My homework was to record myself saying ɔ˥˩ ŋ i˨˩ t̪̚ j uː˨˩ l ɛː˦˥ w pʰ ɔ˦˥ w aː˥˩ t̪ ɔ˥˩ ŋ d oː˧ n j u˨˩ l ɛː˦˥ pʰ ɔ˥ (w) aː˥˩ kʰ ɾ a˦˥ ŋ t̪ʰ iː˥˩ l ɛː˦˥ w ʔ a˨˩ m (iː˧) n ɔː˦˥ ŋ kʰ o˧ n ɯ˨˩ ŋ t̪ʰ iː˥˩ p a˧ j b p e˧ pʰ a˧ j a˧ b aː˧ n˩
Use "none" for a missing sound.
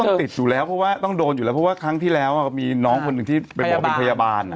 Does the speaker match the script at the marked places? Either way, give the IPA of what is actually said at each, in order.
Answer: w, iː˧

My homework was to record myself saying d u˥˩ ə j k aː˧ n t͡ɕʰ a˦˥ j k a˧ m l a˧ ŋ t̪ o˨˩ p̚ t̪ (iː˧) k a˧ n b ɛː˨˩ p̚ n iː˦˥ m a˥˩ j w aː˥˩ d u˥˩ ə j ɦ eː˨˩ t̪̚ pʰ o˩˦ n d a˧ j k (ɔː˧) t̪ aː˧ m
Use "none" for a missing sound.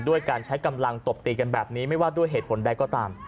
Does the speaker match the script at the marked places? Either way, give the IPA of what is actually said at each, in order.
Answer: iː˧, ɔː˥˩

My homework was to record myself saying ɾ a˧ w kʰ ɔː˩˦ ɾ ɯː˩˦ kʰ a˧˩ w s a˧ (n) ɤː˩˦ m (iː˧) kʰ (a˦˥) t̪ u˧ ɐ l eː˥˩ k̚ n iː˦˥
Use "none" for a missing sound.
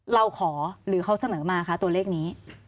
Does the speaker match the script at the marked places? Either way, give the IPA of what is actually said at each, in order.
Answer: n, aː˧, a˦˥

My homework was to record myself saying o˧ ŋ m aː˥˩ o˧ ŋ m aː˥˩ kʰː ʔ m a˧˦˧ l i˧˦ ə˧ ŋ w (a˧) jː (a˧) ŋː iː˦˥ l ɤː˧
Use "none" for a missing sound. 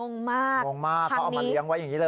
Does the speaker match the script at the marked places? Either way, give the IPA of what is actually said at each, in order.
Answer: a˦˥, a˨˩

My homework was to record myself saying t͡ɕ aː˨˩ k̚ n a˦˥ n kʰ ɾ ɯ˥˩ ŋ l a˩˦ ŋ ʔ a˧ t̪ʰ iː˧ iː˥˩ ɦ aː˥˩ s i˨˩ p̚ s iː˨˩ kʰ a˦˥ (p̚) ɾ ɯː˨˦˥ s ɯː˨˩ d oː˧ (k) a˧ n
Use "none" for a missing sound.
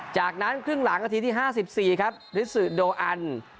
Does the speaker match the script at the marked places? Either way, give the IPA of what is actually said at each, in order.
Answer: p̚, ʔ

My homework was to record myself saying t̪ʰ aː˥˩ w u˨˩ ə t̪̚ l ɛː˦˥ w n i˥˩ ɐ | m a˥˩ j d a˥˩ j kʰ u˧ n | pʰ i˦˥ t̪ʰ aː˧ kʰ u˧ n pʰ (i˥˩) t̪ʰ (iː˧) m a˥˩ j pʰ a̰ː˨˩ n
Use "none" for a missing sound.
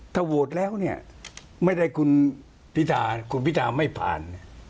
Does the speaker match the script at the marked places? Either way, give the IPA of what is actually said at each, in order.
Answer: i˦˥, aː˧

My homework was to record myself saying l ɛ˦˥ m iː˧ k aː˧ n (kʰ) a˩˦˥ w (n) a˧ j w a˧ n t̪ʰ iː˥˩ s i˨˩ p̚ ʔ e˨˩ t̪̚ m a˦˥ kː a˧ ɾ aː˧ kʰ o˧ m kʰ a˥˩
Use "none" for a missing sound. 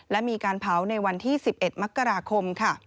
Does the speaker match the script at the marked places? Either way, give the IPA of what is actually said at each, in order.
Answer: pʰ, n

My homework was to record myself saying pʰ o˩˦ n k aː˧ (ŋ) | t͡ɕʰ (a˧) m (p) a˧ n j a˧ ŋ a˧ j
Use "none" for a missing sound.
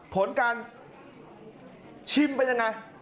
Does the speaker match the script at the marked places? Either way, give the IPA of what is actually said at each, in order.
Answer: n, i˧, p

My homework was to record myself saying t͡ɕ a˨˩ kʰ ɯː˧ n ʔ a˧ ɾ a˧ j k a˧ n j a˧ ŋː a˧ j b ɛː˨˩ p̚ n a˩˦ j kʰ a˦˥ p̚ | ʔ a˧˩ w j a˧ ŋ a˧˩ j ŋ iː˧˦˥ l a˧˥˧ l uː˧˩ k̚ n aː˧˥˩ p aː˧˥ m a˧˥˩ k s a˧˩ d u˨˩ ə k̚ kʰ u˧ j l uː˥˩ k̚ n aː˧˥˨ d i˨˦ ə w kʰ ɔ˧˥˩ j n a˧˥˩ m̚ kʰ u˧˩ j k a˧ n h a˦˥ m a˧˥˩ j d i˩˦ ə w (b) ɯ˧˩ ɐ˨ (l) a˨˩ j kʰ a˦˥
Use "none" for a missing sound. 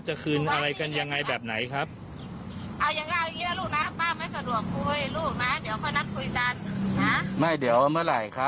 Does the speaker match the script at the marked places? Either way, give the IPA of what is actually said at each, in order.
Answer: m, l

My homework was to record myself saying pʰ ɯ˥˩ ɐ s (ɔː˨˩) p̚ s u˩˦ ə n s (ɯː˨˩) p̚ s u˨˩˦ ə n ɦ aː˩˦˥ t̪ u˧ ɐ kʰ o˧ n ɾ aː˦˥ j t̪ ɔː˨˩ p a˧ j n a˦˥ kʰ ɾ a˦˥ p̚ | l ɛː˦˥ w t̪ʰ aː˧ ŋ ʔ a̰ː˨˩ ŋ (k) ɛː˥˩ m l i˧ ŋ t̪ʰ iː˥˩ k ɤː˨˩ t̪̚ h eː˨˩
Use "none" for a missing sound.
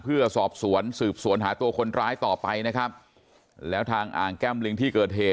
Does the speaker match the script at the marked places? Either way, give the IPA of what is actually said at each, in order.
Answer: ɔː˨˩, ɯː˨˩, k

